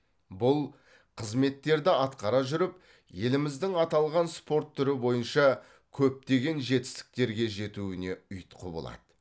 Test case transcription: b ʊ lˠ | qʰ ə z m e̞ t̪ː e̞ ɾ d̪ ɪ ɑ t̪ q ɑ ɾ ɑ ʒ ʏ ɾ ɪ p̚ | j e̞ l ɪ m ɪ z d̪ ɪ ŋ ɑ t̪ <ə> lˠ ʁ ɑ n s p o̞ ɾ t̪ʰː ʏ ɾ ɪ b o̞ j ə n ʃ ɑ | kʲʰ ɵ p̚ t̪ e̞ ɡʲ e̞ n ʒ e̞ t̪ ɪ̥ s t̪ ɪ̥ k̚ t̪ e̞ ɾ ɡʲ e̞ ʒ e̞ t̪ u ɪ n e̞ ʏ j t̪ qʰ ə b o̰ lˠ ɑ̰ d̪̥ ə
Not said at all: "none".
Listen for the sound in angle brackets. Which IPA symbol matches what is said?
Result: ɑ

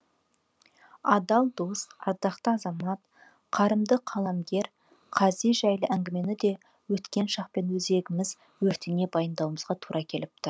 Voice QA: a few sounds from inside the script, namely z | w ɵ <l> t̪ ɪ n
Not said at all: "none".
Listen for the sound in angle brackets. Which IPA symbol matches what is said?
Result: ɾ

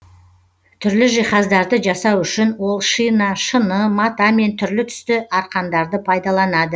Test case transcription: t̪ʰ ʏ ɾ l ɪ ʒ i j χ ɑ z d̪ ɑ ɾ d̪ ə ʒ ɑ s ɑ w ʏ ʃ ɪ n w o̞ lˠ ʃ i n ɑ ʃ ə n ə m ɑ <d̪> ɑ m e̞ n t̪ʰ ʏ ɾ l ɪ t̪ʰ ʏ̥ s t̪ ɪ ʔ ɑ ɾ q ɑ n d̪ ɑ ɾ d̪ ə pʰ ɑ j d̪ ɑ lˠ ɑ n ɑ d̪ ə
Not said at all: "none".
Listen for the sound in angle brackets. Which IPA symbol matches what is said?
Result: t̪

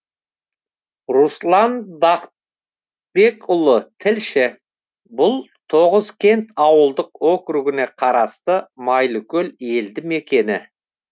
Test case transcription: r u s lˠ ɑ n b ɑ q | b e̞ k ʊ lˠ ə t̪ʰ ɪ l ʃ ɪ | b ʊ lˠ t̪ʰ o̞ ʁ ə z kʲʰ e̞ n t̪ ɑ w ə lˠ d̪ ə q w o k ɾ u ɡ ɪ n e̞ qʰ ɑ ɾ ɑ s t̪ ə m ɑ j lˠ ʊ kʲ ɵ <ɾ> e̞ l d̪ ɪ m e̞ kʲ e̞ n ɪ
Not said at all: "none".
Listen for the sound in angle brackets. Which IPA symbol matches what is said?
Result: l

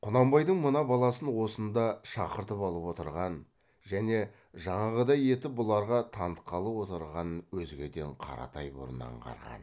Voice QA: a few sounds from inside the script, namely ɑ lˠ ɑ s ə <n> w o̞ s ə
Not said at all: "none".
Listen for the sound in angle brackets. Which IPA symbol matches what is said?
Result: n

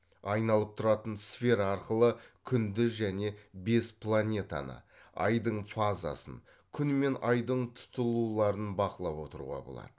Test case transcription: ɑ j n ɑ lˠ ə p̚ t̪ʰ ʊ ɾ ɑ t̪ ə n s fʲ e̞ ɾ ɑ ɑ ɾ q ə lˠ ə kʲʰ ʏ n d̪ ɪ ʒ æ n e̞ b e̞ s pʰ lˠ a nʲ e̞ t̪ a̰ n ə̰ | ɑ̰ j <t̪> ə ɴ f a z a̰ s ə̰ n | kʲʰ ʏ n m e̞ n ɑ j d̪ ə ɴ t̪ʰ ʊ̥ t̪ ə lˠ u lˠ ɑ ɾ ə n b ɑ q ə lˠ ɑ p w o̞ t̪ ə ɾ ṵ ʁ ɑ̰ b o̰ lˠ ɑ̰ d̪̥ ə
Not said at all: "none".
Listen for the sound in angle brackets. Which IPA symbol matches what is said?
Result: d̪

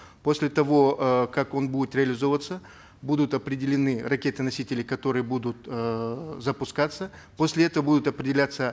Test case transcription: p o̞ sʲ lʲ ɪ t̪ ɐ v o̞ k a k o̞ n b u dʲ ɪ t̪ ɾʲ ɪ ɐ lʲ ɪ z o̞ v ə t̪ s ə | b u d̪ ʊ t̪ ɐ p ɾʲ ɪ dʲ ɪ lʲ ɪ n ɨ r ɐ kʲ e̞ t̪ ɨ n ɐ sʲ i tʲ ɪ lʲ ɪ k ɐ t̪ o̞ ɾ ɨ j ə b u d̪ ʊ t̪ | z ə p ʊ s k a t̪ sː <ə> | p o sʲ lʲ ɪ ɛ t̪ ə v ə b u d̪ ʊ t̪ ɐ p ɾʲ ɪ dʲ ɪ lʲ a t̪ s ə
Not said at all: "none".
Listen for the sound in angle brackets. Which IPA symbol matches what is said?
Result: ə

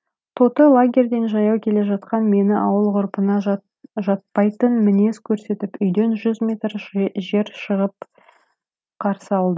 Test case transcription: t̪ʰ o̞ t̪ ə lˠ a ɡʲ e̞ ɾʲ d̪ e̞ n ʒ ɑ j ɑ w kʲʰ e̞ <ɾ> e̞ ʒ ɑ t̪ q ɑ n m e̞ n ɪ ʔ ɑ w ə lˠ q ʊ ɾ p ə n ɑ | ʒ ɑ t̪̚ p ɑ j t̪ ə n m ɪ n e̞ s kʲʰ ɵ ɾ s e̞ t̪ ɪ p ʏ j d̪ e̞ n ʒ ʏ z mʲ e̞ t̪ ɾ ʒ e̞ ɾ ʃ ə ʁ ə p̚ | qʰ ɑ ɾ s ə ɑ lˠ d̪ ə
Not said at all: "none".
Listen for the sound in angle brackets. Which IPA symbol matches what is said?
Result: l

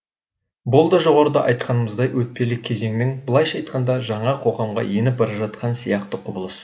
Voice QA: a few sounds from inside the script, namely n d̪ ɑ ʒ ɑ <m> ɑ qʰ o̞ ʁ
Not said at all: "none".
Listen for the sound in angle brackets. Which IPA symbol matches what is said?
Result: ɴ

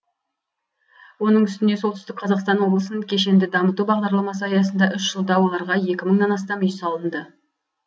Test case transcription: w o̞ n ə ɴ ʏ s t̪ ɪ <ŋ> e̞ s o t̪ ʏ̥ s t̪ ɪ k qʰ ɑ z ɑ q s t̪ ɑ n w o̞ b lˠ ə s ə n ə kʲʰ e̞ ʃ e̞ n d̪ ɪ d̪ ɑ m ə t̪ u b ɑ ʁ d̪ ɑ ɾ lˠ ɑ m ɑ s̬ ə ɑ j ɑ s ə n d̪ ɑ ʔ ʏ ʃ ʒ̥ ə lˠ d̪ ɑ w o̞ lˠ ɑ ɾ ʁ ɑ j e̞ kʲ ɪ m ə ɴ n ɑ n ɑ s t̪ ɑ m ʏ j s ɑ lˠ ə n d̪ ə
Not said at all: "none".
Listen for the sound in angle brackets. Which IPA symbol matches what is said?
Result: n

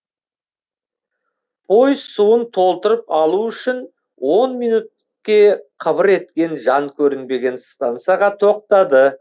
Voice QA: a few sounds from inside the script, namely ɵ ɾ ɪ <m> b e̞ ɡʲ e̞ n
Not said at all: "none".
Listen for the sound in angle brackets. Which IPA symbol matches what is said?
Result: n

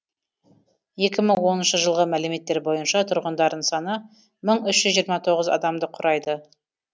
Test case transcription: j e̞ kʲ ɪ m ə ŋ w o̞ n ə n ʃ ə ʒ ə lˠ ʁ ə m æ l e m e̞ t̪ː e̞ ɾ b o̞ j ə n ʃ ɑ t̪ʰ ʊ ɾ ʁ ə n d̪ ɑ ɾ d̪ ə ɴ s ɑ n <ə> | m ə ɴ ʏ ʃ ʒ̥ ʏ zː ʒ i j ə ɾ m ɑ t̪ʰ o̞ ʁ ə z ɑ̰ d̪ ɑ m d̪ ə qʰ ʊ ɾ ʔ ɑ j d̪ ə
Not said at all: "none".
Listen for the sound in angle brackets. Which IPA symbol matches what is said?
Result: ə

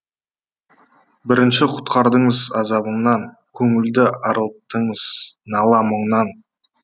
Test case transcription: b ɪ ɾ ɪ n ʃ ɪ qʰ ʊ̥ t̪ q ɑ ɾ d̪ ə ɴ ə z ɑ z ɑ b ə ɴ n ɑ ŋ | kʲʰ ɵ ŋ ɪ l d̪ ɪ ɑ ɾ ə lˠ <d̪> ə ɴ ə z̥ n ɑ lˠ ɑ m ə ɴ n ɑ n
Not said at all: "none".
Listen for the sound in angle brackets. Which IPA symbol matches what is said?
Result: t̪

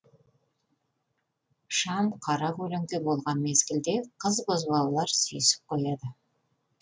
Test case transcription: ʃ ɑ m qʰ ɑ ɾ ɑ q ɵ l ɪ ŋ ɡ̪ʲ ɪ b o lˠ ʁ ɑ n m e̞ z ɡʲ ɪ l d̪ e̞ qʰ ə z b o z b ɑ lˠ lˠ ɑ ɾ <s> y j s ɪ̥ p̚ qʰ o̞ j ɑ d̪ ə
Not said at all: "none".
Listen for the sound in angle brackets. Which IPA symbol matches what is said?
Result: s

